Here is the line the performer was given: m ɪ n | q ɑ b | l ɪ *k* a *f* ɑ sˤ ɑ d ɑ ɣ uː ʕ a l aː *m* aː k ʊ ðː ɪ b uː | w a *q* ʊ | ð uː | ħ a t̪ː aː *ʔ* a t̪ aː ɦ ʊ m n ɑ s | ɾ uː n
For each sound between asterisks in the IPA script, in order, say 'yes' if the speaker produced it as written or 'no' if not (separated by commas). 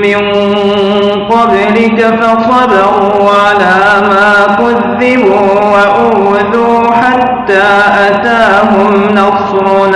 yes, yes, yes, no, yes